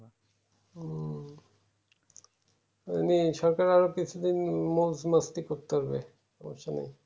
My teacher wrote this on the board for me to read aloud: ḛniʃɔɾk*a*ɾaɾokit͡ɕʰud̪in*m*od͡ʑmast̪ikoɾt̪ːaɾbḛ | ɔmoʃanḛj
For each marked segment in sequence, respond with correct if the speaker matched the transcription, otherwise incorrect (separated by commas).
correct, correct